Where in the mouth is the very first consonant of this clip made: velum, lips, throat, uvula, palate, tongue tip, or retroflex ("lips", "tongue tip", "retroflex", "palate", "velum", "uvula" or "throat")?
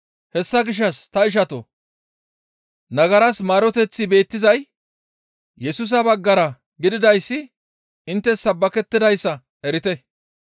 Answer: throat